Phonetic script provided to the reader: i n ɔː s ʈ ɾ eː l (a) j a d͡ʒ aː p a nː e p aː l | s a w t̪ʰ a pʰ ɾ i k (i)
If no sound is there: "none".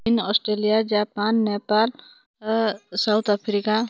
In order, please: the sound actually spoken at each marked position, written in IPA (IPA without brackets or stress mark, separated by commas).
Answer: i, a